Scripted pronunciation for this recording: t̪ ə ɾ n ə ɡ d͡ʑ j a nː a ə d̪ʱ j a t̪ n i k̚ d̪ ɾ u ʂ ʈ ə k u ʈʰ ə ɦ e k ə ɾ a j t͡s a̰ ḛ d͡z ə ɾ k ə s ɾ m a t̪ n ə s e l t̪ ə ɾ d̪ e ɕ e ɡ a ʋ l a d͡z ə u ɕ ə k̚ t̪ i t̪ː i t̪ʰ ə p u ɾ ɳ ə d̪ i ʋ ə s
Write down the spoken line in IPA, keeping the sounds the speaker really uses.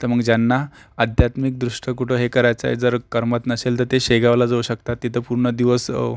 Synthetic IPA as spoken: t̪ ə ɾ m ə ɡ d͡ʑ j a nː a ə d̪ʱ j a t̪ m i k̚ d̪ ɾ u ʂ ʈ ə k u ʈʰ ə ɦ e k ə ɾ a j t͡s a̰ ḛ d͡z ə ɾ k ə ɾ m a t̪ n ə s e l t̪ ə ɾ t̪ e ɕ e ɡ a ʋ l a d͡z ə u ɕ ə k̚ t̪ a t̪ː i t̪ʰ ə p u ɾ ɳ ə d̪ i ʋ ə s